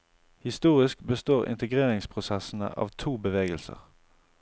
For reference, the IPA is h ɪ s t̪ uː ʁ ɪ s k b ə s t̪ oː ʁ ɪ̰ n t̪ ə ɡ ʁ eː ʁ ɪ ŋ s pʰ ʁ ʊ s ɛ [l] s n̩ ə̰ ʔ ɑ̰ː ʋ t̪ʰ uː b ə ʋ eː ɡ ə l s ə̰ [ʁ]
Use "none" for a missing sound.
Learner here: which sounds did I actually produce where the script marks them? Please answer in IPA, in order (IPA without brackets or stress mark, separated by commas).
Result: none, ʁ